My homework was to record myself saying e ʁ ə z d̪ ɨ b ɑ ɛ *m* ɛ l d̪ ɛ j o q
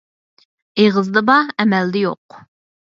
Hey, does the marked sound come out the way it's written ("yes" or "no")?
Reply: yes